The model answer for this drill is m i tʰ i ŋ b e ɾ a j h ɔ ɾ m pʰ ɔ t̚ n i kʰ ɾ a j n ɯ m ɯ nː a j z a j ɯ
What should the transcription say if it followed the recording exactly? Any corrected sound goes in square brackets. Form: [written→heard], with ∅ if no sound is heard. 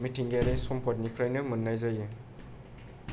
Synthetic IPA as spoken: m i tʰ i ŋ [b→ɡ] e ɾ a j [h→s] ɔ [ɾ→∅] m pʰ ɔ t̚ n i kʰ ɾ a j n ɯ m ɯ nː a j z a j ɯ